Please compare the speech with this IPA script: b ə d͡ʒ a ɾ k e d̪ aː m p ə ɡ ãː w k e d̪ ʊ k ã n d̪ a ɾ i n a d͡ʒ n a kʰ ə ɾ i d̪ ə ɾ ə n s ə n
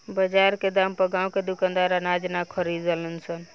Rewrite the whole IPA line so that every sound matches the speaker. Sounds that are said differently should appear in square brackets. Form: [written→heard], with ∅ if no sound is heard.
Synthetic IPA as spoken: b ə d͡ʒ a ɾ k e d̪ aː m p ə ɡ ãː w k e d̪ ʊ k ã n d̪ a ɾ [i→a] n a d͡ʒ n a kʰ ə ɾ i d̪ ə [ɾ→l] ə n s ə n